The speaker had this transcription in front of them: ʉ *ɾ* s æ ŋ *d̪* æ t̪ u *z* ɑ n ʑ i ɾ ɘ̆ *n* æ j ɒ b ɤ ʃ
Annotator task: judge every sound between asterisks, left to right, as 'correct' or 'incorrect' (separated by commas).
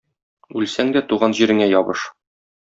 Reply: incorrect, correct, incorrect, incorrect